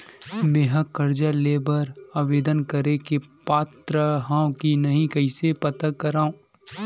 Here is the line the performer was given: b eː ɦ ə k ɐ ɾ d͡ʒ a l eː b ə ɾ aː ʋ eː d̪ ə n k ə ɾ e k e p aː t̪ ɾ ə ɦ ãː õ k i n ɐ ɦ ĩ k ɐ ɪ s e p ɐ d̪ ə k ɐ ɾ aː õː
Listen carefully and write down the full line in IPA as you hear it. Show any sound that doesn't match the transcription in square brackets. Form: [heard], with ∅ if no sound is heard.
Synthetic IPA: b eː ɦ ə k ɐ ɾ d͡ʒ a l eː b ə ɾ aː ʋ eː d̪ ə n k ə ɾ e k e p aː t̪ ɾ ə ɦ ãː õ k i n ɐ ɦ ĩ k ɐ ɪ s e p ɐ [t̪] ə k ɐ ɾ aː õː